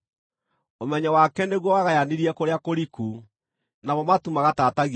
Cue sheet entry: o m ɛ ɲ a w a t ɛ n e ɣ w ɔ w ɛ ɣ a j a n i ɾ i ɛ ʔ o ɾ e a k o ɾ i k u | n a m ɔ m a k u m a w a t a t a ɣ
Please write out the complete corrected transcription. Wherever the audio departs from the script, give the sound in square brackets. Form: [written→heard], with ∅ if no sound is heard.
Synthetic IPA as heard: o m ɛ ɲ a w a [t→k] ɛ n e ɣ w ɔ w [ɛ→a] ɣ a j a n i ɾ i ɛ [ʔ→k] o ɾ e a k o ɾ i k u | n a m ɔ m a [k→t] u m a [w→ɣ] a t a t a ɣ